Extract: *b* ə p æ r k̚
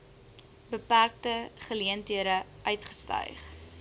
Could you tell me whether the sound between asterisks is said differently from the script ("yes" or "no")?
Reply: no